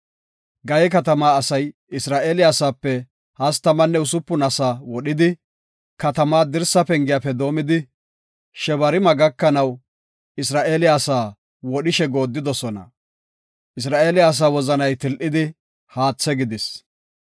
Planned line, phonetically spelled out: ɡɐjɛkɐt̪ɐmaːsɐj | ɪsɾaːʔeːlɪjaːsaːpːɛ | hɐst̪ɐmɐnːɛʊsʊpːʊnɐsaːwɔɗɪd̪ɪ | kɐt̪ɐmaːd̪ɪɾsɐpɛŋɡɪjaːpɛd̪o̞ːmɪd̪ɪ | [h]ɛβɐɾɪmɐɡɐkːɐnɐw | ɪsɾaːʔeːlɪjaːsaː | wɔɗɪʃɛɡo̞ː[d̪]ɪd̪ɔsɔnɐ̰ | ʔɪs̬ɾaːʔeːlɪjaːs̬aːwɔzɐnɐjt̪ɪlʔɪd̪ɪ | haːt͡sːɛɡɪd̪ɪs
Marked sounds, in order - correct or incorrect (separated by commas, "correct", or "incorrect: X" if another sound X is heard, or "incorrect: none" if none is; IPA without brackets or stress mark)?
incorrect: ʃ, incorrect: d̪ː